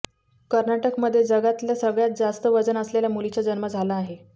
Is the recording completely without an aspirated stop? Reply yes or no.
yes